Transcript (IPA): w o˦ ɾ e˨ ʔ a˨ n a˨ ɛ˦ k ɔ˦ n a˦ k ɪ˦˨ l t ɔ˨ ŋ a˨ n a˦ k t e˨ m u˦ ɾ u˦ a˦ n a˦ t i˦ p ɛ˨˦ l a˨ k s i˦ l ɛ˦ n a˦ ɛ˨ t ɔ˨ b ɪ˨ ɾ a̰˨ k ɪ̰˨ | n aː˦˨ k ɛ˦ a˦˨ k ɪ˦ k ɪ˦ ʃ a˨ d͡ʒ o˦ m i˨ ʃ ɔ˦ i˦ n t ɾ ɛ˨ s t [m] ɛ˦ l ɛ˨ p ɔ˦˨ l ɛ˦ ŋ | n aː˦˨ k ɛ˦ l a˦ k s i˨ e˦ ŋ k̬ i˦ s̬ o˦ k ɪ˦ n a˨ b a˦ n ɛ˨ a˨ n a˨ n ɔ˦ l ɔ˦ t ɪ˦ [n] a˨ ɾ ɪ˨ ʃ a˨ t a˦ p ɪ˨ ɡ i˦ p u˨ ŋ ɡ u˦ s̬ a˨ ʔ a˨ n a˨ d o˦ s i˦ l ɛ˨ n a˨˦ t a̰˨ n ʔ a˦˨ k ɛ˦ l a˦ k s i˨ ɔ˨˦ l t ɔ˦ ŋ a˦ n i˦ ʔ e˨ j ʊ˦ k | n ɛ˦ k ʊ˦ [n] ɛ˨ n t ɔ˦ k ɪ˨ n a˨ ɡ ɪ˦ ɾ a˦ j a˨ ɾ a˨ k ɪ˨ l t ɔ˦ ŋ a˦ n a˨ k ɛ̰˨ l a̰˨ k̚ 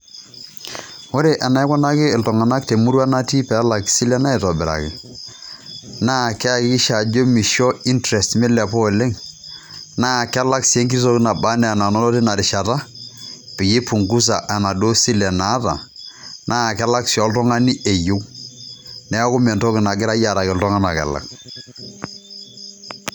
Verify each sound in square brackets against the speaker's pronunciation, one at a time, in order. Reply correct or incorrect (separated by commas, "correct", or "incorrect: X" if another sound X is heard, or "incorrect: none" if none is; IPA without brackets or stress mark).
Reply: correct, correct, incorrect: m